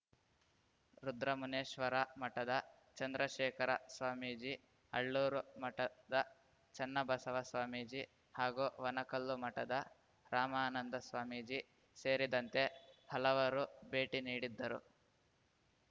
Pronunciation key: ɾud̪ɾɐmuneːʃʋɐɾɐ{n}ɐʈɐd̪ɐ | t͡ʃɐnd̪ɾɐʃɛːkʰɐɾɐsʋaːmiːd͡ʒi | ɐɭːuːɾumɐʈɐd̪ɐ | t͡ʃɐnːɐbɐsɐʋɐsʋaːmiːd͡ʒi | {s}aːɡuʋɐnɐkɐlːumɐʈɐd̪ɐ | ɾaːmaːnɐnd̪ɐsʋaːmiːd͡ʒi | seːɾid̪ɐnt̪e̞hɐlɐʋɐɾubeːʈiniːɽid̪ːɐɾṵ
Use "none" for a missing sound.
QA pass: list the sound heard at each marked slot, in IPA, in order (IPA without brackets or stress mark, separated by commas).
m, h